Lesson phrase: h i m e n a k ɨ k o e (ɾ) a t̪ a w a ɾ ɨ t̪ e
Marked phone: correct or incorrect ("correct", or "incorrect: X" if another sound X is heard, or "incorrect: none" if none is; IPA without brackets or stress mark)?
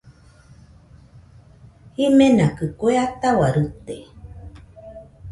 incorrect: none